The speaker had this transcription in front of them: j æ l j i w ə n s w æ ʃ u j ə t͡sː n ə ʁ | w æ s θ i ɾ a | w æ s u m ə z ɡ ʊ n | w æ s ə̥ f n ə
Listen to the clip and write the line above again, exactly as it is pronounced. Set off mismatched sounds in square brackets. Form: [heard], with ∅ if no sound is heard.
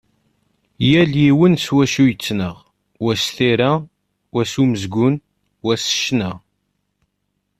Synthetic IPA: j æ l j i w ə n s w æ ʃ u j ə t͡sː n ə ʁ | w æ s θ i ɾ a | w æ s u m ə z ɡ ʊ n | w æ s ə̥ [ʃ] n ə